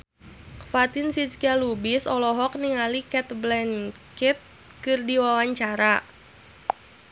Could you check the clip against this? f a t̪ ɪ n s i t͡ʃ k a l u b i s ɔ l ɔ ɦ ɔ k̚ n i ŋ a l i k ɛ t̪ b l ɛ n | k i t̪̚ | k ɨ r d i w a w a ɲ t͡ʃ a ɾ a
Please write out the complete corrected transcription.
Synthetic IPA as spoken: f a t̪ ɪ n s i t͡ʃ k a l u b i s ɔ l ɔ ɦ ɔ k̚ n i ŋ a l i k ɛ t̪ b l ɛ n | k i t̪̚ | k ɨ r d i w a w a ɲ t͡ʃ a ɾ a